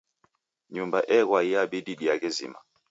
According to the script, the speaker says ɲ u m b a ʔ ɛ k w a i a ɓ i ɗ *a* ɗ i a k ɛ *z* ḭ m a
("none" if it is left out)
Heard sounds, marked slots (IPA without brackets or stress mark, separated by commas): i, z